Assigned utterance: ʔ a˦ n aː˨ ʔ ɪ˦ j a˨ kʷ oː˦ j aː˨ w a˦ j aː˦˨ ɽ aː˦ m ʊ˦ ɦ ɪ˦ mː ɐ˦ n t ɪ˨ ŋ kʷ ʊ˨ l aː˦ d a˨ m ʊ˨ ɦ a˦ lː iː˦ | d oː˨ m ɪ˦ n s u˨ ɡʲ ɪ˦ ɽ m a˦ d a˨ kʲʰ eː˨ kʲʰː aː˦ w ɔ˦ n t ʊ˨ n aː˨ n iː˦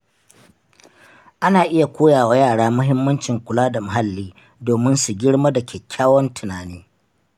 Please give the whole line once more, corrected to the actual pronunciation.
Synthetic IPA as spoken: ʔ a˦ n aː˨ ʔ ɪ˦ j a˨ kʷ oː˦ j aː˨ w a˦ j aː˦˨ ɽ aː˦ m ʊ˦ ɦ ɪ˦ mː ɐ˦ n t͡ʃ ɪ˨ ŋ kʷ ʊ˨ l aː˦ d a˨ m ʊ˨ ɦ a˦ lː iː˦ | d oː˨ m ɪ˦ n s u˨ ɡʲ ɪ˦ ɽ m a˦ d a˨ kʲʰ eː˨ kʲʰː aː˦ w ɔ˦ n t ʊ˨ n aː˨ n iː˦